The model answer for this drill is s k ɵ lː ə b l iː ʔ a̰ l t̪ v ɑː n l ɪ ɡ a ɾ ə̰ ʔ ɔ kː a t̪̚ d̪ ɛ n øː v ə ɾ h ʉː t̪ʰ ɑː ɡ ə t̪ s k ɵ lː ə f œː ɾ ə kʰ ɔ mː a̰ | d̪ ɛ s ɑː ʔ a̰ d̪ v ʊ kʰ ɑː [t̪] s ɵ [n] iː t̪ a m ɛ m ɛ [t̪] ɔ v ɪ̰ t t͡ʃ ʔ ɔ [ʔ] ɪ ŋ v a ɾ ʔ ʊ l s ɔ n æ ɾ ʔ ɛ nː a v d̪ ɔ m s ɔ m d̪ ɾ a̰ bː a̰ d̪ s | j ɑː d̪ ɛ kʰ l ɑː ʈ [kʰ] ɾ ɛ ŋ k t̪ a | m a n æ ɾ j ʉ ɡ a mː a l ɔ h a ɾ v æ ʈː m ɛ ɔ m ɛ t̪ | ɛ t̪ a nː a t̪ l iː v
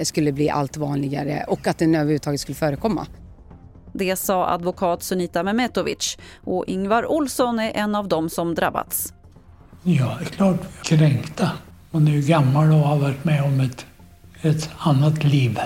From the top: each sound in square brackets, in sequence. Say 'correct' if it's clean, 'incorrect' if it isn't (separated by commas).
correct, correct, correct, correct, correct